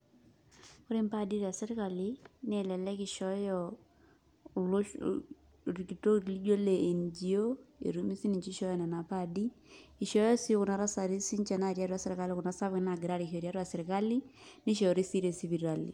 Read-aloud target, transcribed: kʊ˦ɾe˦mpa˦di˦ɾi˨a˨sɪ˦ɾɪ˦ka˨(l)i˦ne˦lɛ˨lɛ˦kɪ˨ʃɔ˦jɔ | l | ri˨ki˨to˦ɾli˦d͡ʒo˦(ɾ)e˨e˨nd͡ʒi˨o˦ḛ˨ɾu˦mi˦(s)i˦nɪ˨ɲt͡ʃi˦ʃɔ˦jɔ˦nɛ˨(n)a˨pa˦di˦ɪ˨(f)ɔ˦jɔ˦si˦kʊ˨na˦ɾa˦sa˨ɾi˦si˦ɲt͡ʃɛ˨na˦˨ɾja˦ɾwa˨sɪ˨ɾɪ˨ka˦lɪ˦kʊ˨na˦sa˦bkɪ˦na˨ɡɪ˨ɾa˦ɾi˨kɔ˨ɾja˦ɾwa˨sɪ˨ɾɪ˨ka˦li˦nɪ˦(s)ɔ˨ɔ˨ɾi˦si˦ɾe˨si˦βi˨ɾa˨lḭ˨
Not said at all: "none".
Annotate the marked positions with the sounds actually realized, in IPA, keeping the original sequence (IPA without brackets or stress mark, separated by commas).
l, l, s, n, ʃ, ʃ